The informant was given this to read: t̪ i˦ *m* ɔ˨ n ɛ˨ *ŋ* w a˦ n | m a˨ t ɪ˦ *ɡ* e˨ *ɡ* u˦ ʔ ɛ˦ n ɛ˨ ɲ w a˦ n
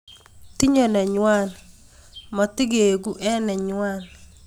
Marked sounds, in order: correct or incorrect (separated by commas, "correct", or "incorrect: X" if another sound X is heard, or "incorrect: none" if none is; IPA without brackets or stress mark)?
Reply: incorrect: ɲ, incorrect: ɲ, correct, correct